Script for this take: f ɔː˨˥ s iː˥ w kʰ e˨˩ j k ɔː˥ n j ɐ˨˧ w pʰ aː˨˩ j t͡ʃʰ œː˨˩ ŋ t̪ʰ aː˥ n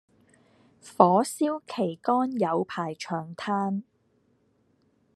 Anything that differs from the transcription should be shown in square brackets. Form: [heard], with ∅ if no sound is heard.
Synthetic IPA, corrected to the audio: f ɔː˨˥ s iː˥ w kʰ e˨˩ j k ɔː˥ n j ɐ˨˧ w pʰ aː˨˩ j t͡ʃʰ œː˨˩ ŋ t̪ʰ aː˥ n